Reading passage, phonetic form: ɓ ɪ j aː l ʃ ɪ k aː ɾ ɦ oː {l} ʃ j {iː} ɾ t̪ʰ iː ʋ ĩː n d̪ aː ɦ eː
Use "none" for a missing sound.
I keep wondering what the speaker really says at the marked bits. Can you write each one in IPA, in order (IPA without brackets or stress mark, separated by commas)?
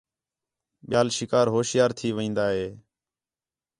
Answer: none, aː